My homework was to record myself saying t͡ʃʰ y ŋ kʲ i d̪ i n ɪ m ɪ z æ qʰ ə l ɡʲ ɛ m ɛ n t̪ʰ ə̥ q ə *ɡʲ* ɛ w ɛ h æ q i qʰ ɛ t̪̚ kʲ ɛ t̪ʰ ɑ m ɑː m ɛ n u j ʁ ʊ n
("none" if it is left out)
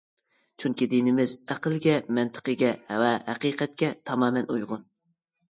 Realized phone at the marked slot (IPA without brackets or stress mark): ɡʲ